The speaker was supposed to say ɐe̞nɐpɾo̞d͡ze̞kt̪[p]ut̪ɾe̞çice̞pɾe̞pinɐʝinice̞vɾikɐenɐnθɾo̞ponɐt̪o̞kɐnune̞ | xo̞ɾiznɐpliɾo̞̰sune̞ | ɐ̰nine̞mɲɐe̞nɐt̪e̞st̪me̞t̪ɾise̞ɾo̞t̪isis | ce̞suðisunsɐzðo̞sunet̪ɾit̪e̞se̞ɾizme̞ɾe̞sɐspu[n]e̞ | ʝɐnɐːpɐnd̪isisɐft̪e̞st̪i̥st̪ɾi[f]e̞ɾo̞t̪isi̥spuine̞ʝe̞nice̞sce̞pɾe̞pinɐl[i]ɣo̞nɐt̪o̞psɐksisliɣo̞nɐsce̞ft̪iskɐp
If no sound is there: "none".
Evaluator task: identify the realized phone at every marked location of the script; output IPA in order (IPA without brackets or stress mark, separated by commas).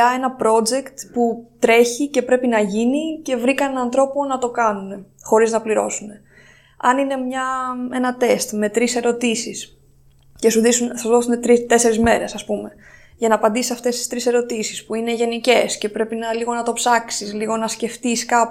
p, m, s, i